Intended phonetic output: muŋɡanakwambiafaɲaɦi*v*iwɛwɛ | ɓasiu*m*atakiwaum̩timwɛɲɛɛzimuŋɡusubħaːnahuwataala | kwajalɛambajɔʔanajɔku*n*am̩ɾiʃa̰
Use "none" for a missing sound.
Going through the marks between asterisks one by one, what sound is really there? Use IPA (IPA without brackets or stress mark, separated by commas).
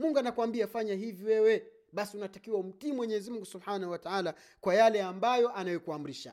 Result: v, n, none